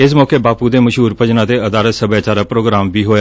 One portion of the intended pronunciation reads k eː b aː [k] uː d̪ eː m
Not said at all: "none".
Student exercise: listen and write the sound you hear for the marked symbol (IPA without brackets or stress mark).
p